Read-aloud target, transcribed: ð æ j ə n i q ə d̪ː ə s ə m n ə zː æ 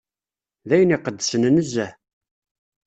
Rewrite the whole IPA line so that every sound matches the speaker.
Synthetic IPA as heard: ð æ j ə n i q ə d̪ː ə s ə n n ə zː æ